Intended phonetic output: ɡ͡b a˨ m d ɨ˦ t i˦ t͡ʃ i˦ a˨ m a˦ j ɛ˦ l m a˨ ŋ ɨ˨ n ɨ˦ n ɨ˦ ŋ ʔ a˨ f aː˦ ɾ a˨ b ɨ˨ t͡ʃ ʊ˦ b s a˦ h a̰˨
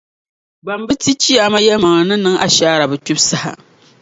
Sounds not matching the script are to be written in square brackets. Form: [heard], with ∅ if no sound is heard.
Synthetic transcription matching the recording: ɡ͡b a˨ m [b] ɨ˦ t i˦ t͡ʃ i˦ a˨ m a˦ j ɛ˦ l m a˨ ŋ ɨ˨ n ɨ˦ n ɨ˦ ŋ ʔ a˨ [ʃ] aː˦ ɾ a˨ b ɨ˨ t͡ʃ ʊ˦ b s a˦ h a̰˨